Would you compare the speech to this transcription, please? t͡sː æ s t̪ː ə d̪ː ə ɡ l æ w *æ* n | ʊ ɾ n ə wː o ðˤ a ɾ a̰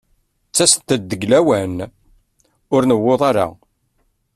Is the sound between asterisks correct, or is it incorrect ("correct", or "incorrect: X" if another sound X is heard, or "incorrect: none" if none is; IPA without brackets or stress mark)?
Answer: correct